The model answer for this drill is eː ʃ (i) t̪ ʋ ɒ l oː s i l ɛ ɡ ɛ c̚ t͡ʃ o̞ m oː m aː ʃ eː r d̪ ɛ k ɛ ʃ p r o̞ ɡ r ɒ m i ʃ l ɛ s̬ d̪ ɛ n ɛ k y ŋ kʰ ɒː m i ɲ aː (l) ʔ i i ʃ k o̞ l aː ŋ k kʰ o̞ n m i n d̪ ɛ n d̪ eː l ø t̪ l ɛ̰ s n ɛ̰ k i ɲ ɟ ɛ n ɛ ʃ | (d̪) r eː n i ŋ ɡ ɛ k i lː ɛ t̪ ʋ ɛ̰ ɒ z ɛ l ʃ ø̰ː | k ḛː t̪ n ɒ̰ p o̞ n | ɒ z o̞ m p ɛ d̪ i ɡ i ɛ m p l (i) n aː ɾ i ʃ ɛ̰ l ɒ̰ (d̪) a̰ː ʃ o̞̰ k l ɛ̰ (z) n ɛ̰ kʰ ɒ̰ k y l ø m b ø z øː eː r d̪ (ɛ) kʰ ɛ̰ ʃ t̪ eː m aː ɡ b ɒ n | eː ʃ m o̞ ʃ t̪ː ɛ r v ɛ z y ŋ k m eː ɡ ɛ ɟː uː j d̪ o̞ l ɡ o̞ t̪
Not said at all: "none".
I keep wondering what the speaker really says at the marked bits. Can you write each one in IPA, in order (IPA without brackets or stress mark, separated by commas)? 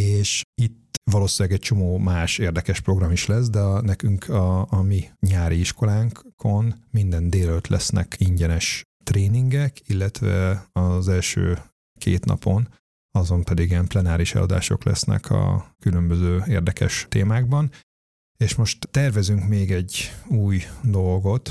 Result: i, ɾ, t̪, ɛ, d̪, s, ɛ